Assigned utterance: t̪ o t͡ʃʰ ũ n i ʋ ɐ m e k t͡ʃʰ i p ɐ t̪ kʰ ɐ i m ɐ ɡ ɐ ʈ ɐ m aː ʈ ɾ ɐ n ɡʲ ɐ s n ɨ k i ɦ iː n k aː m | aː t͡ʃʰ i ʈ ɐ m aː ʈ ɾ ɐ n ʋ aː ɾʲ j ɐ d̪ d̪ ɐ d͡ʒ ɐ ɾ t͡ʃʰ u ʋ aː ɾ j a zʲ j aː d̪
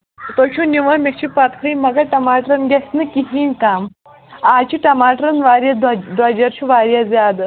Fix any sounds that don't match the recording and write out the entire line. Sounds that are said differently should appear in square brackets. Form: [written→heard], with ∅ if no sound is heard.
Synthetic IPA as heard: t̪ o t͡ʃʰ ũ n i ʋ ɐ m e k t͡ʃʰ i p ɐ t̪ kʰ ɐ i m ɐ ɡ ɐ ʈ ɐ m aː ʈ ɾ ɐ n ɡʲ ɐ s n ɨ k i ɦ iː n k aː m | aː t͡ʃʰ i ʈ ɐ m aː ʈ ɾ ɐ n ʋ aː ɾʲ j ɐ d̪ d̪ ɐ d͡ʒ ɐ ɾ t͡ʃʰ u ʋ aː ɾ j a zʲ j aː d̪

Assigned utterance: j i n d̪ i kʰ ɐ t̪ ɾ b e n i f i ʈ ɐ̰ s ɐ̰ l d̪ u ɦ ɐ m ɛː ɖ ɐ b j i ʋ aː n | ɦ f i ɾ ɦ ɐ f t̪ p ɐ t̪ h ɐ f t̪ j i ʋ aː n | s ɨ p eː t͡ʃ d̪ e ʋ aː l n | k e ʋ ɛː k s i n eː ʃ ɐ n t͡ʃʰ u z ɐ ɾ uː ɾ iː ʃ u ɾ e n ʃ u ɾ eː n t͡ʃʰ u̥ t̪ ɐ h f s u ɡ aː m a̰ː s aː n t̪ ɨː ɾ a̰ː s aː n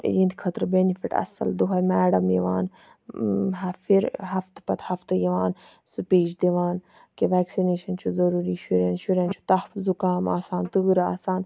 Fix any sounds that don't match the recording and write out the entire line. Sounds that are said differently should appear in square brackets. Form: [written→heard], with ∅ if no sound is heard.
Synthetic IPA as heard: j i n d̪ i kʰ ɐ t̪ ɾ b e n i f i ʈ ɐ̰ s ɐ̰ l d̪ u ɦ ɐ m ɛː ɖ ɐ [b→m] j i ʋ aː n | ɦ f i ɾ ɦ ɐ f t̪ p ɐ t̪ h ɐ f t̪ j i ʋ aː n | s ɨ p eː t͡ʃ d̪ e ʋ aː [l→∅] n | k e ʋ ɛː k s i n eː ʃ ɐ n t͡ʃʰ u z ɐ ɾ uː ɾ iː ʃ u ɾ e n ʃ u ɾ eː n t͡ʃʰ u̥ t̪ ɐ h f [s→z] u [ɡ→k] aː m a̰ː s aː n t̪ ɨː ɾ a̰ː s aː n

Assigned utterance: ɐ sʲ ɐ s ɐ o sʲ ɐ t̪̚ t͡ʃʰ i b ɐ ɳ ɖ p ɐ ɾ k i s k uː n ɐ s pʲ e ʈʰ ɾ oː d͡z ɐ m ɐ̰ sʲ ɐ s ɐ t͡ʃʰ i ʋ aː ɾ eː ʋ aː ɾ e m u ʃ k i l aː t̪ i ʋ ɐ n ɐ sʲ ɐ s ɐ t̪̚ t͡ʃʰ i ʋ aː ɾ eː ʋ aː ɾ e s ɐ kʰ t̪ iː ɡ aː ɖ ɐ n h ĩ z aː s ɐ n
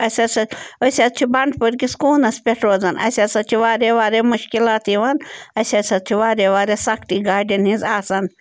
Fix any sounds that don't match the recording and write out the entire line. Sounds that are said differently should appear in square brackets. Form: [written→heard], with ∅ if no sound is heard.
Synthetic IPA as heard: ɐ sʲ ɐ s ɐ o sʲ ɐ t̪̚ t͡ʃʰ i b ɐ ɳ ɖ p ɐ ɾ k i s k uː n ɐ s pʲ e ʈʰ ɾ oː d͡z ɐ [m→n] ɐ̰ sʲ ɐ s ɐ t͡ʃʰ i ʋ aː ɾ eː ʋ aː ɾ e m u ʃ k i l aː t̪ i ʋ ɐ n ɐ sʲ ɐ s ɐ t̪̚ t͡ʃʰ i ʋ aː ɾ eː ʋ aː ɾ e s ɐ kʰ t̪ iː ɡ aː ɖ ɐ n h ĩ z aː s ɐ n

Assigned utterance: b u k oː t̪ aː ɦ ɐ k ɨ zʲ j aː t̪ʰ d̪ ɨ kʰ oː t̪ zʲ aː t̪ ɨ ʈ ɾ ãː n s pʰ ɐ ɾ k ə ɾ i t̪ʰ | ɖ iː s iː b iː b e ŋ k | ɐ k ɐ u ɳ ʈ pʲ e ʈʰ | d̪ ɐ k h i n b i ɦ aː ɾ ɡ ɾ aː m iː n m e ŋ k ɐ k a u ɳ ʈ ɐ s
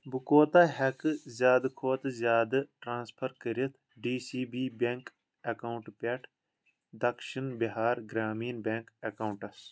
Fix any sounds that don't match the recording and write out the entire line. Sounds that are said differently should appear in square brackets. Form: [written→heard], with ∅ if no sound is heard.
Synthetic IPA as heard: b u k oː t̪ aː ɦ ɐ k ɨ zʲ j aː [t̪ʰ→∅] d̪ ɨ kʰ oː t̪ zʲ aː [t̪→d̪] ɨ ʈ ɾ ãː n s pʰ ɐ ɾ k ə ɾ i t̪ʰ | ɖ iː s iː b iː b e ŋ k | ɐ k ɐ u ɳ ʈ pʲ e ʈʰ | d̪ ɐ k [h→ʃ] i n b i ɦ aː ɾ ɡ ɾ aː m iː n [m→b] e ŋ k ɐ k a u ɳ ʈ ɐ s

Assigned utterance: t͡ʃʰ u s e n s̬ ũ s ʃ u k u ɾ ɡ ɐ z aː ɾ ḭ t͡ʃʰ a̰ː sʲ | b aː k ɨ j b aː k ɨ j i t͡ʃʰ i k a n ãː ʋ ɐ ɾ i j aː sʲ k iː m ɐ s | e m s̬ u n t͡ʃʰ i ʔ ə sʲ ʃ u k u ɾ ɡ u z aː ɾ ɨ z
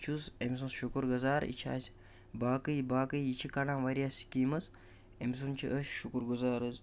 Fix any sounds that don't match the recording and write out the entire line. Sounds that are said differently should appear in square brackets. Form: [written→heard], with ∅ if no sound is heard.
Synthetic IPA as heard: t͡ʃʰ u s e [n→m] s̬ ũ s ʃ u k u ɾ ɡ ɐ z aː ɾ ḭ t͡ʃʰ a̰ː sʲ | b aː k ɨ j b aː k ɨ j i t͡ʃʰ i k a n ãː ʋ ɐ ɾ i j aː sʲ k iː m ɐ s | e m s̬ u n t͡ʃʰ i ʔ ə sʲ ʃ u k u ɾ ɡ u z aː ɾ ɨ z

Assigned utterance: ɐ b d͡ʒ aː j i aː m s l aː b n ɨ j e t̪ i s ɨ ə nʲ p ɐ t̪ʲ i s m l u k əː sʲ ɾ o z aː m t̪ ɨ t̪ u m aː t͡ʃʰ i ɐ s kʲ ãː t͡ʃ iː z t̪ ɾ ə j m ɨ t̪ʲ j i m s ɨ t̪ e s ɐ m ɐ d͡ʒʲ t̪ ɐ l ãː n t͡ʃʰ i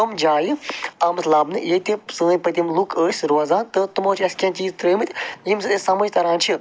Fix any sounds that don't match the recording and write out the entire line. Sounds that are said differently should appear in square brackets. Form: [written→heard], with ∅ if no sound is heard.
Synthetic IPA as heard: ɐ [b→m] d͡ʒ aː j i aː m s l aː b n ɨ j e t̪ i s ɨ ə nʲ p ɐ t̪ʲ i [s→∅] m l u k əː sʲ ɾ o z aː [m→n] t̪ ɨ t̪ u m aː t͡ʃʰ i ɐ s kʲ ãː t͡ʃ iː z t̪ ɾ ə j m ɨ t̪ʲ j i m s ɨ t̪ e s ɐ m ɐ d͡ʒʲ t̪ ɐ [l→ɾ] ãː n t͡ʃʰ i

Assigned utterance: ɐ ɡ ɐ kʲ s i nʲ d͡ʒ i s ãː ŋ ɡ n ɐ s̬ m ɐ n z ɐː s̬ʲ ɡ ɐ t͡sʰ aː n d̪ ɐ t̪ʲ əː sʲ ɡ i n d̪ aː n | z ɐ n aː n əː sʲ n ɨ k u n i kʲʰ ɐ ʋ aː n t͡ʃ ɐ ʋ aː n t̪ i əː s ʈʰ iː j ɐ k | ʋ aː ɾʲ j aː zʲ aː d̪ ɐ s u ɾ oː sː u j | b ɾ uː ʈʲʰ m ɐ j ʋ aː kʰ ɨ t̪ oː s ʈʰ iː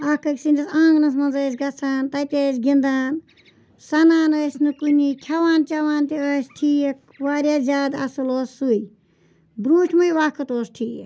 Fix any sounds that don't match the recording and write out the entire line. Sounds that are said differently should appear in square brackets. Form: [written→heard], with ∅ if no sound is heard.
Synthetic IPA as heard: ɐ [ɡ→k] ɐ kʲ s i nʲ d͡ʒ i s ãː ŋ ɡ n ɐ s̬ m ɐ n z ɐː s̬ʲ ɡ ɐ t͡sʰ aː n [d̪→t̪] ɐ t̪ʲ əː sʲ ɡ i n d̪ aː n | [z→s] ɐ n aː n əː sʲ n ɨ k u n i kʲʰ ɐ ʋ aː n t͡ʃ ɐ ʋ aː n t̪ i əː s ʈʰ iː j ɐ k | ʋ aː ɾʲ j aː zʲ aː d̪ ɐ s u [ɾ→l] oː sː u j | b ɾ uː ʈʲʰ m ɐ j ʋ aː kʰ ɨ t̪ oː s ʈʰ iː

